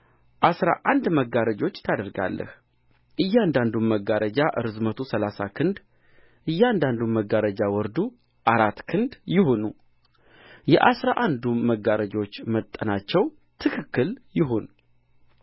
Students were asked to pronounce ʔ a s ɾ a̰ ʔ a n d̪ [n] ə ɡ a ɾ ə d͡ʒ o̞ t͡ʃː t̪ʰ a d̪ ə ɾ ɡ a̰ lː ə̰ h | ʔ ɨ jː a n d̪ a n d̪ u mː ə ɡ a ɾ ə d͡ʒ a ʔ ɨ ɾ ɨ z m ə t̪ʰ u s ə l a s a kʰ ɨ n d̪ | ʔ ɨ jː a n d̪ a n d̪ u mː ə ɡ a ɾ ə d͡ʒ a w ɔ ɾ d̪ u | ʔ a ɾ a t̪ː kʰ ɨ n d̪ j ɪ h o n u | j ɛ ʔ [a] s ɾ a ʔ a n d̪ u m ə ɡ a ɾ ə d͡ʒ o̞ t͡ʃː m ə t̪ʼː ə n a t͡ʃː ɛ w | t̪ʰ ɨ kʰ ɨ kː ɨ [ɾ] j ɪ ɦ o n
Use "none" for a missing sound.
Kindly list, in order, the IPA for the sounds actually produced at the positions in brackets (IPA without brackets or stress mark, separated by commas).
m, a, l